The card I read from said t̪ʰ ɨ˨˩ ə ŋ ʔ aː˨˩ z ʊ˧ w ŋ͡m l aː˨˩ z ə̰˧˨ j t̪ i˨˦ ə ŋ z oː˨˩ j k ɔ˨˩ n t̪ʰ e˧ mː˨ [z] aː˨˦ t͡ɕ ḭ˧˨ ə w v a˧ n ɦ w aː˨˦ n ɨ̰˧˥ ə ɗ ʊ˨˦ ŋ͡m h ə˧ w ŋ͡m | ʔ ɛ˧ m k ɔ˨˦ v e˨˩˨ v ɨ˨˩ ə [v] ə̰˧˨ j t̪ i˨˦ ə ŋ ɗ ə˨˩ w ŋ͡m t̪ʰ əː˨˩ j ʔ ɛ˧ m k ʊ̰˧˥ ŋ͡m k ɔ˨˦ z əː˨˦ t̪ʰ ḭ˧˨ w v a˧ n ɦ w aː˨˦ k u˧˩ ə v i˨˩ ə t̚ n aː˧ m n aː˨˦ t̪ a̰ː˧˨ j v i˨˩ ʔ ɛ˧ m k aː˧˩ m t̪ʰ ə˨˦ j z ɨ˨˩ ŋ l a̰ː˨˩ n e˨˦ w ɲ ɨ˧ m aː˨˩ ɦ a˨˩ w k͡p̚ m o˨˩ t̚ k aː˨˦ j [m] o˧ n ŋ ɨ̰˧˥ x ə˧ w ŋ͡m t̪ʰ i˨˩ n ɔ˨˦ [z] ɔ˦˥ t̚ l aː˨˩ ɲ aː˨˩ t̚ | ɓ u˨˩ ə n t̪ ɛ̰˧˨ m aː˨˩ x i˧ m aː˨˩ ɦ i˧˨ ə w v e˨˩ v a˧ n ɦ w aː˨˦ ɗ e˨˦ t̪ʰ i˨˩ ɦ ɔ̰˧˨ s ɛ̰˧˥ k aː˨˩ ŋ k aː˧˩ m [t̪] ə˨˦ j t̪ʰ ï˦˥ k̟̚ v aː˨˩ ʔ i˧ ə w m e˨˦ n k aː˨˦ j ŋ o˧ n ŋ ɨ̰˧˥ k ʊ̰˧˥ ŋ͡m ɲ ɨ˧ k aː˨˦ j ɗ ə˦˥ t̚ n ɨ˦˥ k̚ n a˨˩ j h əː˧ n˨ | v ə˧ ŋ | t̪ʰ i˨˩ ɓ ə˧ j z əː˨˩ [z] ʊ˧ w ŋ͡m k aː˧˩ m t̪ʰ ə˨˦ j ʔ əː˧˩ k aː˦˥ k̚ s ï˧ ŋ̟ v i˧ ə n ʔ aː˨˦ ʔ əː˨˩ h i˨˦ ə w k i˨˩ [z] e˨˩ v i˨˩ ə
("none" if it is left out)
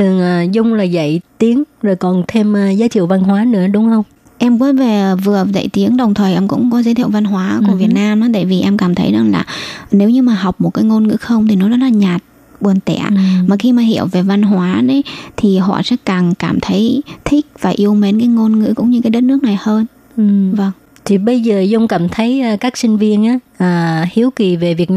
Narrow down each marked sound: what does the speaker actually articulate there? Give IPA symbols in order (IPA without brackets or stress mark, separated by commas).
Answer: z, z, ŋ, z, t̪ʰ, z, v